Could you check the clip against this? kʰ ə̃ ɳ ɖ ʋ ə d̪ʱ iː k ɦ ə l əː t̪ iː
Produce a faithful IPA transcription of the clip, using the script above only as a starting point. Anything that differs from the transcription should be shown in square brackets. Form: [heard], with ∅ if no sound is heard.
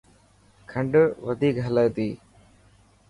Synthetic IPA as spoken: kʰ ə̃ ɳ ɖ ʋ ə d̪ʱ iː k ɦ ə l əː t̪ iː

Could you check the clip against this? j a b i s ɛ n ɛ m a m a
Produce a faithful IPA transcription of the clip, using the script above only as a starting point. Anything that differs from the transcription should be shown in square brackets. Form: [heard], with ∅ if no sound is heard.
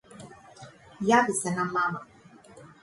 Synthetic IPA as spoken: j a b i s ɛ n [a] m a m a

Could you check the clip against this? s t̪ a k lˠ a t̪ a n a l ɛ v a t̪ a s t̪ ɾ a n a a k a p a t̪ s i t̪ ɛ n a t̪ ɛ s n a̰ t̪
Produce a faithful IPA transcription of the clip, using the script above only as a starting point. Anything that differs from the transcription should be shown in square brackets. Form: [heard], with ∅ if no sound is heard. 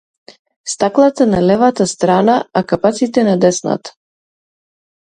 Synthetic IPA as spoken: s t̪ a k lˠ a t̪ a n a l ɛ v a t̪ a s t̪ ɾ a n a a k a p a t̪ s i t̪ ɛ n a [d̪] ɛ s n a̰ t̪

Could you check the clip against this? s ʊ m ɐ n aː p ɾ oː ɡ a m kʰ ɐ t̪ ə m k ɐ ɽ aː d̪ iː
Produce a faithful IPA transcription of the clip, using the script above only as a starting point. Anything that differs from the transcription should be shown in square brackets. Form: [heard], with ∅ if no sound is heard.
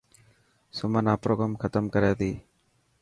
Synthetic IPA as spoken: s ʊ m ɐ n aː p ɾ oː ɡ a m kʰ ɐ t̪ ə m k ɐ [ɾ] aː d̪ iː

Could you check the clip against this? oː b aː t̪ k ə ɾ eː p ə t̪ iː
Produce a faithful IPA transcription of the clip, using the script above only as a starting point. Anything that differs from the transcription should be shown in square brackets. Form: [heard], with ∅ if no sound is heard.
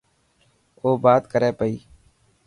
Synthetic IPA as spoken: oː b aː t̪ k ə ɾ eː p ə [∅] iː

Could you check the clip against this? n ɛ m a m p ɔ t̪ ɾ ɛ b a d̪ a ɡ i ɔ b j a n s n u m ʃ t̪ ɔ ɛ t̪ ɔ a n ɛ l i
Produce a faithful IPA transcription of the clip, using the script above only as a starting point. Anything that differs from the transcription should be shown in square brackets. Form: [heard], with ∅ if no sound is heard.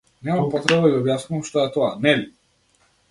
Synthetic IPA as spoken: n ɛ m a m p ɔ t̪ ɾ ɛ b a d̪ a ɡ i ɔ b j a [∅] s n u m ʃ t̪ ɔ ɛ t̪ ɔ a n ɛ l i

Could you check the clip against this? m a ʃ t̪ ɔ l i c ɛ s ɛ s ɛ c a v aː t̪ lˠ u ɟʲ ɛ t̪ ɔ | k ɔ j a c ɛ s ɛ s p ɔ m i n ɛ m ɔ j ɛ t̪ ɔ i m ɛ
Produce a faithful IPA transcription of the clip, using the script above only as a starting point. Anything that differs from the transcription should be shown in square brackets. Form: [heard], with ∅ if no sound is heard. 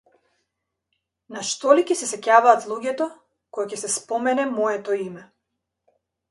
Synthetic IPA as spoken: [n] a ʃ t̪ ɔ l i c ɛ s ɛ s ɛ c a v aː t̪ lˠ u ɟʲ ɛ t̪ ɔ | k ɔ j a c ɛ s ɛ s p ɔ m [ɛ] n ɛ m ɔ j ɛ t̪ ɔ i m ɛ

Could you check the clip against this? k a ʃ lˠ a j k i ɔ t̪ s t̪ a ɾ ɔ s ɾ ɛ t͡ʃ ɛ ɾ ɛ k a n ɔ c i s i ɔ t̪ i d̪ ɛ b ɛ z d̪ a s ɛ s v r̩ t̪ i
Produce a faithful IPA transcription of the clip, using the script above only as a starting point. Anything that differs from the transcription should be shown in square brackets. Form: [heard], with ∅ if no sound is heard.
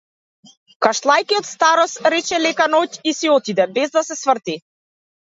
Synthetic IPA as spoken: k a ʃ lˠ a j k i ɔ t̪ s t̪ a ɾ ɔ s ɾ ɛ t͡ʃ ɛ [l] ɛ k a n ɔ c i s i ɔ t̪ i d̪ ɛ b ɛ z d̪ a s ɛ s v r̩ t̪ i

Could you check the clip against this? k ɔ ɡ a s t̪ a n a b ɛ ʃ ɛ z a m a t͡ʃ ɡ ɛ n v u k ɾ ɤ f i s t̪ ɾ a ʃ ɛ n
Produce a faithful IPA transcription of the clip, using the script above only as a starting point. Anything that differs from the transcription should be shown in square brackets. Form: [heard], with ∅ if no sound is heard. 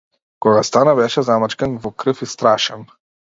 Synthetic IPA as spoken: k ɔ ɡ a s t̪ a n a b ɛ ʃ ɛ z a m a t͡ʃ [k] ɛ n v [ɔ] k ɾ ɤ f i s t̪ ɾ a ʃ ɛ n

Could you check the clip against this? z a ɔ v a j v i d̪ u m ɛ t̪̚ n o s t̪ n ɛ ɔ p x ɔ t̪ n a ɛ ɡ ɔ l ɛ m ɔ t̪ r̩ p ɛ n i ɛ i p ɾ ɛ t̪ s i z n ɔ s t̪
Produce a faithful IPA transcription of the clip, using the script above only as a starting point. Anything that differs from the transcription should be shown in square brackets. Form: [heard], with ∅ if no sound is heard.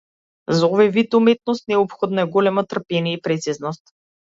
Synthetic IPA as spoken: z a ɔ v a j v i [t̪] u m ɛ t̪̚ n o s t̪ n ɛ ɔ p x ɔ [d̪] n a ɛ ɡ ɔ l ɛ m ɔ t̪ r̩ p ɛ n i ɛ i p ɾ ɛ t̪ s i z n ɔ s t̪

